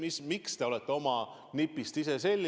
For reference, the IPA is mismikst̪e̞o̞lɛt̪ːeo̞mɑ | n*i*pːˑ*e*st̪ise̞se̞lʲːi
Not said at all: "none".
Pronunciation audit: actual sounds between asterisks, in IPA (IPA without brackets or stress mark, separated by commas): i, i